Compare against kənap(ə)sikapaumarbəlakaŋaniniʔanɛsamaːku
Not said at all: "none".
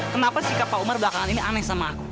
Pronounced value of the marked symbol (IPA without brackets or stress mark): a